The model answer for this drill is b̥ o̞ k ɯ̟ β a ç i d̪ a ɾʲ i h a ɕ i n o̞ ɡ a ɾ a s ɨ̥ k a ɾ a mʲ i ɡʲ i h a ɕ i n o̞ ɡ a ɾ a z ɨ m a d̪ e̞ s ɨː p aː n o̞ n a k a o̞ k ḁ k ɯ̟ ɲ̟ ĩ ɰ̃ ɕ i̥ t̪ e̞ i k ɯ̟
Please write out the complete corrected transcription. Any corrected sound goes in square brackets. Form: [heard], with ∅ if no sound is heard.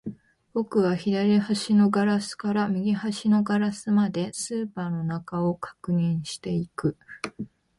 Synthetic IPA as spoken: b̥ o̞ k ɯ̟ β a ç i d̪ a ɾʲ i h a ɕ i n o̞ ɡ a ɾ a s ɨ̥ k a ɾ a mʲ i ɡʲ i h a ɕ i n o̞ ɡ a ɾ a [s] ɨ m a d̪ e̞ s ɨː p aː n o̞ n a k a o̞ k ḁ k ɯ̟ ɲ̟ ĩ ɰ̃ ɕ i̥ t̪ e̞ i k ɯ̟